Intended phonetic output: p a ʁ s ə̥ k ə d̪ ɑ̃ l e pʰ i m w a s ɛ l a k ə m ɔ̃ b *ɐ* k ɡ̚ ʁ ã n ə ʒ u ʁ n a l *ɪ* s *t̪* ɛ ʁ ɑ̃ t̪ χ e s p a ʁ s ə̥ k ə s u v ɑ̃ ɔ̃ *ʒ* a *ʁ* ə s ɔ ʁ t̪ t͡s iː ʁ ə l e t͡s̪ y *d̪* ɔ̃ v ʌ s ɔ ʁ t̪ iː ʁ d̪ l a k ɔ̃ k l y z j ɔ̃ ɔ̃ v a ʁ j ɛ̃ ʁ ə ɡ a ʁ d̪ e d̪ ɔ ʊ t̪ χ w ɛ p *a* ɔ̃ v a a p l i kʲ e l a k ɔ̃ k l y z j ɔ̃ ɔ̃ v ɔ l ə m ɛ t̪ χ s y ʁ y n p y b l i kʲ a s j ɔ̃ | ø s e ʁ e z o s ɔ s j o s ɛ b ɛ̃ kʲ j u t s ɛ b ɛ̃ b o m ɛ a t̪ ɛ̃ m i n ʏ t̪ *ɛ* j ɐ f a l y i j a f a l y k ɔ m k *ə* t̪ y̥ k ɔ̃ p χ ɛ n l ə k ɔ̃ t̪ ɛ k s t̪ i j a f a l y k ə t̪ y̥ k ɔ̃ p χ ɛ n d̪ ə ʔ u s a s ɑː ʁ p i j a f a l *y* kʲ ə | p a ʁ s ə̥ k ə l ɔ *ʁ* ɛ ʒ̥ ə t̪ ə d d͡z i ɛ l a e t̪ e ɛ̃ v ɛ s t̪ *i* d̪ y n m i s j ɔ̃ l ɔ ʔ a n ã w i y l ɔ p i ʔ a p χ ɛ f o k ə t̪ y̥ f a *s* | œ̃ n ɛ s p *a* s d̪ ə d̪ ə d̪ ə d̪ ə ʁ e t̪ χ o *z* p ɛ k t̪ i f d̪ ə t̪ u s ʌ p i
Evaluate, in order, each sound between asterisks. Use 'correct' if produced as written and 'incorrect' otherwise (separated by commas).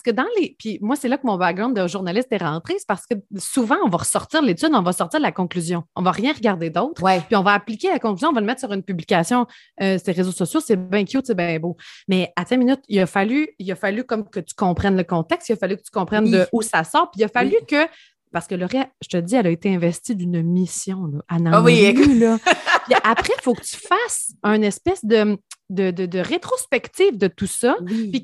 incorrect, correct, correct, incorrect, correct, correct, incorrect, incorrect, correct, correct, correct, correct, correct, incorrect, incorrect